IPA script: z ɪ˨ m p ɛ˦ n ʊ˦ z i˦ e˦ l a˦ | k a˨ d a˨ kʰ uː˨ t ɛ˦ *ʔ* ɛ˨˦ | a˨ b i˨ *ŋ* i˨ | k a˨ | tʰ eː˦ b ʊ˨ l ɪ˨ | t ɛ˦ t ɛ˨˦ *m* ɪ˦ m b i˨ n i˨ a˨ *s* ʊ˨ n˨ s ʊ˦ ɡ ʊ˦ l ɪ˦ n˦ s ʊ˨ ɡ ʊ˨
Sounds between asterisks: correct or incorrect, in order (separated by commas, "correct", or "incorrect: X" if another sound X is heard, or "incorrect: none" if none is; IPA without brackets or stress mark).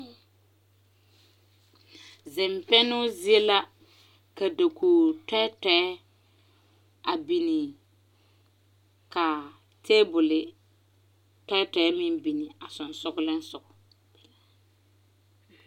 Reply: incorrect: t, incorrect: n, correct, correct